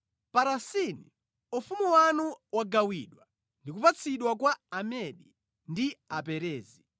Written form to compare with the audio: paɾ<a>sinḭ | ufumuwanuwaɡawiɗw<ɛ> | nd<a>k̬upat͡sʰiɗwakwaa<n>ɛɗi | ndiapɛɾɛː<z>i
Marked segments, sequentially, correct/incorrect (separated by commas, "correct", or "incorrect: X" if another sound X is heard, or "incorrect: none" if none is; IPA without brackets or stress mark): correct, incorrect: a, incorrect: i, incorrect: m, correct